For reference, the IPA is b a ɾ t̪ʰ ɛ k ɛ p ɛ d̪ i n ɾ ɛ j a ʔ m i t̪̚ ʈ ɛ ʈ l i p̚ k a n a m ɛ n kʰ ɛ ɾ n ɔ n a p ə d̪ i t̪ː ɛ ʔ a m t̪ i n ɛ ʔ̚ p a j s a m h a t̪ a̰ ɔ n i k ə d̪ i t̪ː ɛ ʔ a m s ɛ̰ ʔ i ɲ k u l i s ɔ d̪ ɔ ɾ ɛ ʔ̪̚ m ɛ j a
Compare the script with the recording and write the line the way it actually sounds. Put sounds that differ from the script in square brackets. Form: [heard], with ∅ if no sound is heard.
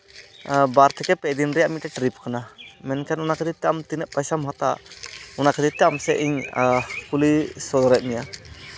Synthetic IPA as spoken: b a ɾ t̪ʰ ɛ k ɛ p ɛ d̪ i n ɾ ɛ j a ʔ m i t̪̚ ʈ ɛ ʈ [ɾ] i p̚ k a n a m ɛ n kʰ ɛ [∅] n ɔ n a [k] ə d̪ i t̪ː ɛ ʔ a m t̪ i n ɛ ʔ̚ p a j s a m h a t̪ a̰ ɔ n [a] k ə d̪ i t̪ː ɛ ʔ a m s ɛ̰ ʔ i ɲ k u l i s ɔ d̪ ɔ ɾ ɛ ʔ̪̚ m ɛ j a